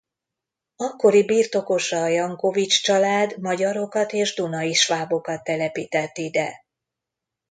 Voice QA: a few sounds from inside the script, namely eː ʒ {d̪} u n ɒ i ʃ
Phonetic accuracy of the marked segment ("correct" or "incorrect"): correct